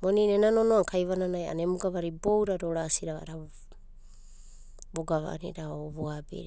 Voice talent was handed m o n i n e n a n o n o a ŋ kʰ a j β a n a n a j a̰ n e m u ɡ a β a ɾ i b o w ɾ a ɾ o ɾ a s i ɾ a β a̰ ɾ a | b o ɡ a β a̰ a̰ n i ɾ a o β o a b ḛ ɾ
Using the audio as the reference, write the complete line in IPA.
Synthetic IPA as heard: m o n i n e n a n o n o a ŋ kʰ a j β a n a n a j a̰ n e m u ɡ a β a ɾ i b o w ɾ a ɾ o ɾ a s i ɾ a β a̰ ɾ a | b o ɡ a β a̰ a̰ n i ɾ a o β o a b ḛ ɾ